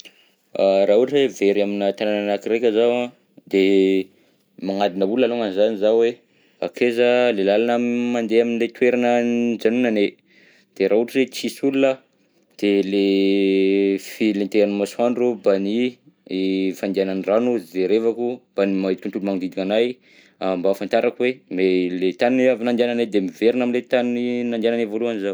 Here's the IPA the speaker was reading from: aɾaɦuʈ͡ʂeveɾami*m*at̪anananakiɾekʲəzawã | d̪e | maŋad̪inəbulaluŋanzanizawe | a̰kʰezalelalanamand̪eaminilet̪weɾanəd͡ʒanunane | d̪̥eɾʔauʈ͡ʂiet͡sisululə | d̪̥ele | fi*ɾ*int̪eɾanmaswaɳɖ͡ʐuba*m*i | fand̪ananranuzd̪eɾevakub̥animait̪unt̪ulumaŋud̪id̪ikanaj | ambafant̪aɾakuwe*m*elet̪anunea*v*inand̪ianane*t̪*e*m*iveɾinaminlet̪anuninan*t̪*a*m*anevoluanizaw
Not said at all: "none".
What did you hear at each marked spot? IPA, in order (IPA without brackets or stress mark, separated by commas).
n, l, n, m, v, d̪, m, d̪, n